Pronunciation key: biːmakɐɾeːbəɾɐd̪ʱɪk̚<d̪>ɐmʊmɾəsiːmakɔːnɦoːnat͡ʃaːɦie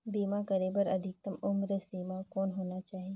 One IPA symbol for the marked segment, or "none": t̪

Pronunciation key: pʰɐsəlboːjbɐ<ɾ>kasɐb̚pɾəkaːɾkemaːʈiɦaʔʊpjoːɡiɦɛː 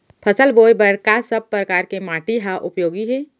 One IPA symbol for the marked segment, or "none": ɾ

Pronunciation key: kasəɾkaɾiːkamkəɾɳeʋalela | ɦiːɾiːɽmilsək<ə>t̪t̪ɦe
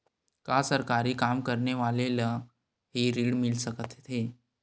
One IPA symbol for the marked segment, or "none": ə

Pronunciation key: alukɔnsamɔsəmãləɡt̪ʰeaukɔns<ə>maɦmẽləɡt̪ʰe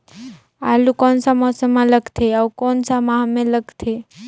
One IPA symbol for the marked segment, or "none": a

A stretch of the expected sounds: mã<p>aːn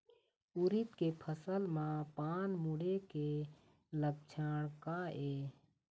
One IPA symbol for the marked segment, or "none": p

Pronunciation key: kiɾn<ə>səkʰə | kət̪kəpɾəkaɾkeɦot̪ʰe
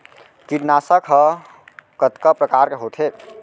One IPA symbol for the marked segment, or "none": a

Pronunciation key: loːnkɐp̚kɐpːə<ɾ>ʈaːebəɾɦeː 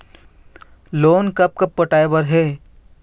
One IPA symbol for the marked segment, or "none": none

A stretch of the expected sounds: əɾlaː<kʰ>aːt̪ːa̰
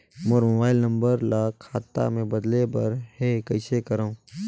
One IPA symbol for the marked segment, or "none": kʰ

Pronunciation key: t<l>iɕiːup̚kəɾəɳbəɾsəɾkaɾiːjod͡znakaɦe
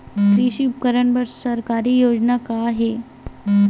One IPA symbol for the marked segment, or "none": ɾ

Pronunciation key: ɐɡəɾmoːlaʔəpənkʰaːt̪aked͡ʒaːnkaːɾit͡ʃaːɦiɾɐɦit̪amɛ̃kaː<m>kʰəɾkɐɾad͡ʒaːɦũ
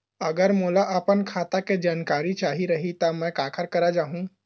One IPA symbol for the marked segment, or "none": none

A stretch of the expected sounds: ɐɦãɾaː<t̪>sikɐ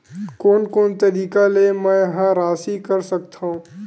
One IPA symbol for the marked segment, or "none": none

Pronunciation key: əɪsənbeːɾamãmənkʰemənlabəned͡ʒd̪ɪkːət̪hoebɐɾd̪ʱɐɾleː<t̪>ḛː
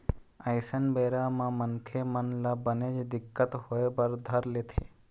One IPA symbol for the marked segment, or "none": t̪ʰ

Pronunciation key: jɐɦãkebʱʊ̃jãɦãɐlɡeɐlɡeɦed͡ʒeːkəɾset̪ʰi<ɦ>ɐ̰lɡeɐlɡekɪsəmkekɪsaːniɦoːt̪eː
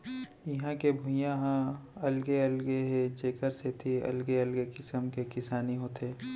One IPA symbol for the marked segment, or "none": none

